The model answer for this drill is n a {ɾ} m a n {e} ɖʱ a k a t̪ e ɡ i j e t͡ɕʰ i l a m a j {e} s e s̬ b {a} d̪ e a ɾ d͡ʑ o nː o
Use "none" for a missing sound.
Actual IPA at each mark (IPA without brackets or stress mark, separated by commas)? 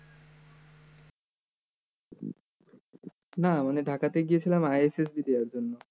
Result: none, e, e, i